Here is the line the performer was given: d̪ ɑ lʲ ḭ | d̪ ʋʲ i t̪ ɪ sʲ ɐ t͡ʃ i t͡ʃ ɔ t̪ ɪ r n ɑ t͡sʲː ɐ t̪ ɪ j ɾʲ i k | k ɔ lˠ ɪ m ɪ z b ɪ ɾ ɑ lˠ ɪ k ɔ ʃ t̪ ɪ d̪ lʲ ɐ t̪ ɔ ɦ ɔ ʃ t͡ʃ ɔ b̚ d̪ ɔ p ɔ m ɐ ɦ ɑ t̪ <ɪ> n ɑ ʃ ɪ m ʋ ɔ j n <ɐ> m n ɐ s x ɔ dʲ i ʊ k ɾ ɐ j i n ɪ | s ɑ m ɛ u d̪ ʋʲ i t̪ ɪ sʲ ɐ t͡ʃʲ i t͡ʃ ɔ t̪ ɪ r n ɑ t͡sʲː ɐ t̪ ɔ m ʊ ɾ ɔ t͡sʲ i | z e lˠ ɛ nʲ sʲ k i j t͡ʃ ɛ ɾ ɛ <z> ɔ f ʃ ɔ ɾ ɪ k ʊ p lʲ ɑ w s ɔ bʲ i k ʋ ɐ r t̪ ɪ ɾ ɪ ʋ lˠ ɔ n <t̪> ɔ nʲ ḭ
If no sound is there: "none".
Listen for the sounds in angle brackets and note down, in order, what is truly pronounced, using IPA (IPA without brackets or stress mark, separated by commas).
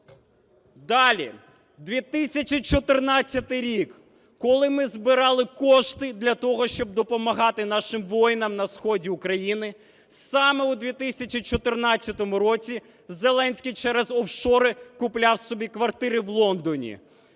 ɪ, ɐ, z, d̪